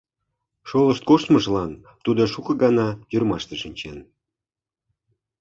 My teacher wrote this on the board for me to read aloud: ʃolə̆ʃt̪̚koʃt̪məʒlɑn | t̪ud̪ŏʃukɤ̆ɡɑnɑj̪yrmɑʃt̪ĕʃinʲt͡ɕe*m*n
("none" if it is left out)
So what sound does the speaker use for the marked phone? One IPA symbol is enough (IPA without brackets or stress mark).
none